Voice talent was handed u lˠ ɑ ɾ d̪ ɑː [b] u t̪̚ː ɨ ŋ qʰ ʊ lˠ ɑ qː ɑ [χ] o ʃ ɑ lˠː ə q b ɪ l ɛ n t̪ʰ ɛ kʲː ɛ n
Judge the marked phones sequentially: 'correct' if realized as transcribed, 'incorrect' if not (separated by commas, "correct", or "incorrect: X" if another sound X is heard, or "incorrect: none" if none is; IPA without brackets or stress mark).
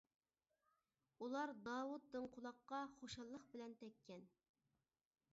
incorrect: w, correct